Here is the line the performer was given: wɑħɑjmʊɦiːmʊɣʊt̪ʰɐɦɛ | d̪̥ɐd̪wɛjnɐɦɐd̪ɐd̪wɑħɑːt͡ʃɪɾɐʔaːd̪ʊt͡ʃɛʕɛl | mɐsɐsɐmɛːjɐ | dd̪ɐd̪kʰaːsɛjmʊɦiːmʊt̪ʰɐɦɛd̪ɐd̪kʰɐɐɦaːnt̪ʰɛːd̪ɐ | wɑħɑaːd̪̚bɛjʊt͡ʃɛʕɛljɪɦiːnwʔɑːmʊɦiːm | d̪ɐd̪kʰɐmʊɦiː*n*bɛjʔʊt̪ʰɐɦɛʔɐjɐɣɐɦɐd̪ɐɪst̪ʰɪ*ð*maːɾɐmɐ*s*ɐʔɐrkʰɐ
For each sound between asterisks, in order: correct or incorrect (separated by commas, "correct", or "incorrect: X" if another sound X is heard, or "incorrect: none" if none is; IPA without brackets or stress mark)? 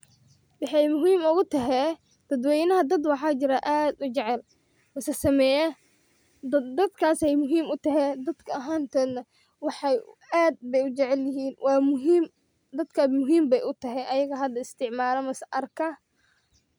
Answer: incorrect: m, incorrect: ʕ, correct